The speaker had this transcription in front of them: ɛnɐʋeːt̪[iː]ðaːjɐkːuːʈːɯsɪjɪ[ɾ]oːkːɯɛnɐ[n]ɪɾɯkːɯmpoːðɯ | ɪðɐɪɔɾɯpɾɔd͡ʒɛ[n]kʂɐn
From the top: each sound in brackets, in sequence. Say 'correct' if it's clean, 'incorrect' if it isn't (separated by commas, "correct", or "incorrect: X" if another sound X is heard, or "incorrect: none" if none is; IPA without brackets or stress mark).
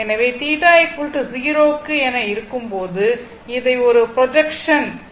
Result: correct, correct, incorrect: none, incorrect: none